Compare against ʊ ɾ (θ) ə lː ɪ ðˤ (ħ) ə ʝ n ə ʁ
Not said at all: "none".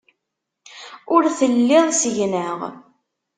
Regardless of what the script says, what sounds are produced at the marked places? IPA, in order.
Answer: θ, s

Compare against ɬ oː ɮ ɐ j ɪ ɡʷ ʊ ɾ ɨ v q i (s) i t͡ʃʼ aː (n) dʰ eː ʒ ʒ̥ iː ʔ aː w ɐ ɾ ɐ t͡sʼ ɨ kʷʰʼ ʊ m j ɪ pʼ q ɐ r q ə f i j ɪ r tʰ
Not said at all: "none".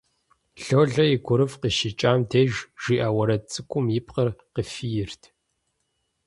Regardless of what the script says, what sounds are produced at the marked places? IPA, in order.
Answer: ʃ, m

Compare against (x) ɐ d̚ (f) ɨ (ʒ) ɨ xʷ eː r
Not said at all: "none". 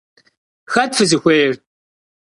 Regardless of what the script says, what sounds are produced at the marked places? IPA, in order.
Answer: x, f, z

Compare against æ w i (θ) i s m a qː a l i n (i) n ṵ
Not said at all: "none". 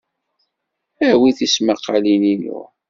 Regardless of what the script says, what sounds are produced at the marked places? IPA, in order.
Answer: θ, i

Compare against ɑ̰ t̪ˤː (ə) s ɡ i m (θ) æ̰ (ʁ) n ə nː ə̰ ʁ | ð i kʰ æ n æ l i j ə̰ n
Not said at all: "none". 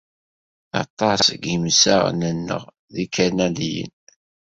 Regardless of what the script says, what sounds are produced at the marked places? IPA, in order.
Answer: ɑ, s, ʁ

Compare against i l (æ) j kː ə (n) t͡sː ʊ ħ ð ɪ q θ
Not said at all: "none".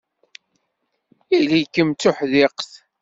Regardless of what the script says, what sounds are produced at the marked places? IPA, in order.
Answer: i, m

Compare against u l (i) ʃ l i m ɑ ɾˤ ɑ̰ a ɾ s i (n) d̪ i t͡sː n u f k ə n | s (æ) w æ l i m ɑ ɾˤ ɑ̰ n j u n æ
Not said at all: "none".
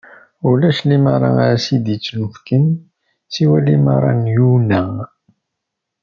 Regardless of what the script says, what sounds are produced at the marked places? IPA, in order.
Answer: æ, none, i

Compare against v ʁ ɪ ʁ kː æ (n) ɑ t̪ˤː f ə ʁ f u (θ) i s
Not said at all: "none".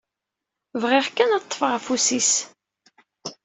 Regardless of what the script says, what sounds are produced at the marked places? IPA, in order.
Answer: n, s

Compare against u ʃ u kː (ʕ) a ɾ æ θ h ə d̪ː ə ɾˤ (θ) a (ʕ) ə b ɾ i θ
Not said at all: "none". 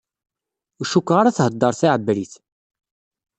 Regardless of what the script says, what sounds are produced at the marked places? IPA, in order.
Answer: ʁ, θ, ʕ

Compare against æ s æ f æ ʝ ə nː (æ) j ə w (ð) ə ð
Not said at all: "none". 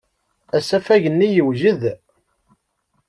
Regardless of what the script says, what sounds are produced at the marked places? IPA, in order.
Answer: i, ʒ

